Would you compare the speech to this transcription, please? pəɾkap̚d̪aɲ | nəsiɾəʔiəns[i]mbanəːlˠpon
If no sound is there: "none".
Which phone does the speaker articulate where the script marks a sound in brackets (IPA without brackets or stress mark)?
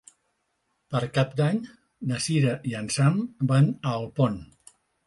a